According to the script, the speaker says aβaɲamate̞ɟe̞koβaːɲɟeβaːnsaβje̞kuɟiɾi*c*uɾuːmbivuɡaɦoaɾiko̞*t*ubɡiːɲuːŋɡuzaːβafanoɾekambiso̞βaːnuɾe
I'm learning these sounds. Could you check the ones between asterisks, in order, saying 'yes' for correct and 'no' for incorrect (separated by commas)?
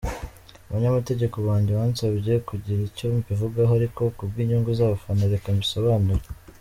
yes, no